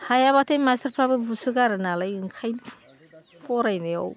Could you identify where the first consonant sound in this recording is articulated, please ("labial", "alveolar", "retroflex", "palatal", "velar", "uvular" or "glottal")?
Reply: glottal